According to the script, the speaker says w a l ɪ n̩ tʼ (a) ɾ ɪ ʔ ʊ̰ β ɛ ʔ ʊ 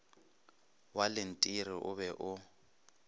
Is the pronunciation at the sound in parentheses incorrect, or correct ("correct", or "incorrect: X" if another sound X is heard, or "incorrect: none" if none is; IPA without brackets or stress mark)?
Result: incorrect: i